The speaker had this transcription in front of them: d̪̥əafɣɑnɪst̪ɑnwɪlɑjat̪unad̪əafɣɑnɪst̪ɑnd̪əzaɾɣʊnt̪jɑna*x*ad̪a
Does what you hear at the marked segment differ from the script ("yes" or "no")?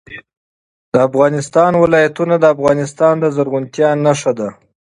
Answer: yes